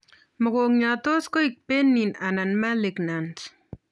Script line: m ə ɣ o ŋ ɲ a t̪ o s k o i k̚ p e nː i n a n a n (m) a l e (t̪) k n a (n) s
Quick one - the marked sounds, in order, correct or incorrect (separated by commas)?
correct, incorrect, correct